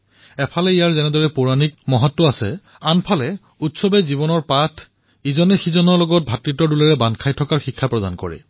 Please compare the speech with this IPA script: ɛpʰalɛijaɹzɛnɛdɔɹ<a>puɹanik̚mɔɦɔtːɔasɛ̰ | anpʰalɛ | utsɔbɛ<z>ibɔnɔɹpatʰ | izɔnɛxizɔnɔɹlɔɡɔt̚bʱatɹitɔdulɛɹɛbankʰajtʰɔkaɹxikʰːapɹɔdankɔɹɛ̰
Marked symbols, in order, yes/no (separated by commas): no, yes